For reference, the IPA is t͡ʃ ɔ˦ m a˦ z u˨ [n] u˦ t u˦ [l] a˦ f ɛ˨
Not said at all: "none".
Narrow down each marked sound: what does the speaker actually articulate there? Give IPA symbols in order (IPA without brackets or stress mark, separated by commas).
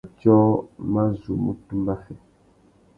m, l